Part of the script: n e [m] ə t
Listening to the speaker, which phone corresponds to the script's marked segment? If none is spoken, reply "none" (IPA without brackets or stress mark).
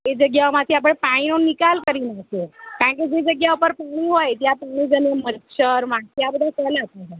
m